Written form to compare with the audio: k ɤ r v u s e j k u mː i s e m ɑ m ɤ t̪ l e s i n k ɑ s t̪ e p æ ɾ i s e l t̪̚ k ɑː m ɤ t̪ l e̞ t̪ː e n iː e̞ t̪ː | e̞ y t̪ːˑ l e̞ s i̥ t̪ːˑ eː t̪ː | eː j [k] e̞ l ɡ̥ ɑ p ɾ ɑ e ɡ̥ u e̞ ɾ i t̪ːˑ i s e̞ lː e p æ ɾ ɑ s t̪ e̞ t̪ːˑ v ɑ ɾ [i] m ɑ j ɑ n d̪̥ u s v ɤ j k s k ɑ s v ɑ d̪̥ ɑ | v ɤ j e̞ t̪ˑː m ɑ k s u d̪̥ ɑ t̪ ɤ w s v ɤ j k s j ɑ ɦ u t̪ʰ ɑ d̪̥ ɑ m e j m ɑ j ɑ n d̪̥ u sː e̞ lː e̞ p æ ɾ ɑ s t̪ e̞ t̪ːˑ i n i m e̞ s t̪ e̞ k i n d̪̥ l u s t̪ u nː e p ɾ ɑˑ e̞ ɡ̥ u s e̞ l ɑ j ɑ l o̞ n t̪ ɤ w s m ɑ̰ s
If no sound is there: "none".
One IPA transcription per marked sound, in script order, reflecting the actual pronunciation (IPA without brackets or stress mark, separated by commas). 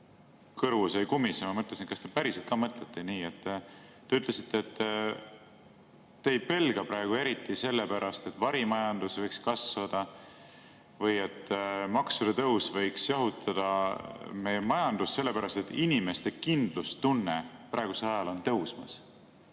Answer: p, i